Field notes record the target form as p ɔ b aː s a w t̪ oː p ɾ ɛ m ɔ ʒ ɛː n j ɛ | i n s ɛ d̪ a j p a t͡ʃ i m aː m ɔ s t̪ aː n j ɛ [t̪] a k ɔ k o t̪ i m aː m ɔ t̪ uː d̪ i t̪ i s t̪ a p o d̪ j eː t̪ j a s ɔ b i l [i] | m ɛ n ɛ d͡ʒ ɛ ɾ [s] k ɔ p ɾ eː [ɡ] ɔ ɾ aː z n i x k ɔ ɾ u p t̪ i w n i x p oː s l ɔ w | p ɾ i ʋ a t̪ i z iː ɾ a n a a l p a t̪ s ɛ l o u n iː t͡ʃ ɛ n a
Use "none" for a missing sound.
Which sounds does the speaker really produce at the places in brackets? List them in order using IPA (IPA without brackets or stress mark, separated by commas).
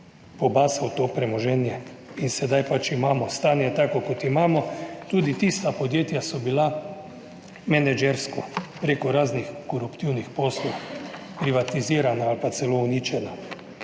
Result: t̪, a, s, k